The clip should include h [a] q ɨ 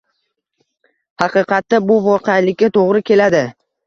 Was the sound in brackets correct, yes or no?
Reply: no